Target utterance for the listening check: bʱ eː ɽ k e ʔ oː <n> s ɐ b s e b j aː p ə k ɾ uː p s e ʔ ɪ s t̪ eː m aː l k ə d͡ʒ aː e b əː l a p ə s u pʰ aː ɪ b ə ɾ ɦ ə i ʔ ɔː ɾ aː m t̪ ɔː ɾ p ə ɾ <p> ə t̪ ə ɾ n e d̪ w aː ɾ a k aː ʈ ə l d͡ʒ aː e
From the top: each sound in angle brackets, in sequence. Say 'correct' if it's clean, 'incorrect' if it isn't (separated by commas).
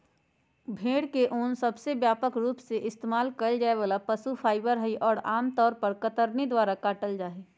correct, incorrect